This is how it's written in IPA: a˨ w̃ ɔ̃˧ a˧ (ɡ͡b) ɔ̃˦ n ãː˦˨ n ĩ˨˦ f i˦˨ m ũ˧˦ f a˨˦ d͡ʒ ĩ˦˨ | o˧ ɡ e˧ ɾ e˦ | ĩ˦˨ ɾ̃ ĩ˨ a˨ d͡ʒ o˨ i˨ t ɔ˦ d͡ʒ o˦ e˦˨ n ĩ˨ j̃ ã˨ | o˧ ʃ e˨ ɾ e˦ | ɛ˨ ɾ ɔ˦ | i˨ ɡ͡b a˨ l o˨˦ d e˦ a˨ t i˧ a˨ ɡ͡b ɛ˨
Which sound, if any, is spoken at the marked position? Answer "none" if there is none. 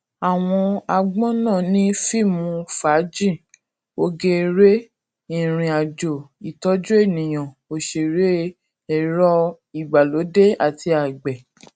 ɡ͡b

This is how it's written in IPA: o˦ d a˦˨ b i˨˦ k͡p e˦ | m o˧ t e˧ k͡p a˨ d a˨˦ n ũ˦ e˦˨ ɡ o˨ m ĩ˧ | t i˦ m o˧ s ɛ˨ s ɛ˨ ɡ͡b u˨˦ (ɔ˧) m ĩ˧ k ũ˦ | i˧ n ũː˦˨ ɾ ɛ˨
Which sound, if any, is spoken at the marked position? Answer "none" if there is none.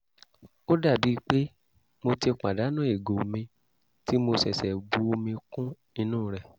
o˧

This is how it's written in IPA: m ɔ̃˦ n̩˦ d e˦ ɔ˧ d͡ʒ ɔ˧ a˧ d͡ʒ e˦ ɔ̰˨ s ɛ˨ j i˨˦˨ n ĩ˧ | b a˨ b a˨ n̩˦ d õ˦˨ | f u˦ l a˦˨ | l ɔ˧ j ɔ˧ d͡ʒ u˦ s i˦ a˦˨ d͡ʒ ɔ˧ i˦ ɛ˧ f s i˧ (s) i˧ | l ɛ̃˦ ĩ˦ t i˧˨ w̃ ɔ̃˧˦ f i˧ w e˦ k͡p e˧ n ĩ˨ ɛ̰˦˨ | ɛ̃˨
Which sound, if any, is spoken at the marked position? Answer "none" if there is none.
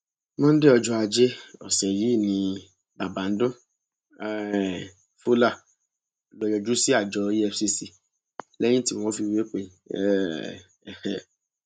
s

